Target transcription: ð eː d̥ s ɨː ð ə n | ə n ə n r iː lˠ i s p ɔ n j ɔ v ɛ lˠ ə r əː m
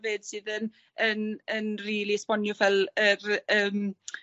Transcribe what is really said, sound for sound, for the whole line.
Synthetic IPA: v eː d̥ s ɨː ð ə n | ə n ə n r iː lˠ i s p ɔ n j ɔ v ɛ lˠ ə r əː m